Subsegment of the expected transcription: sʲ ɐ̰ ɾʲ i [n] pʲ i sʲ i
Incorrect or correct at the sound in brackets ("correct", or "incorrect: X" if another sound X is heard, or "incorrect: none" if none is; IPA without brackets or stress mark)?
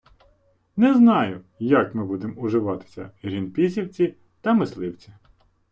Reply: correct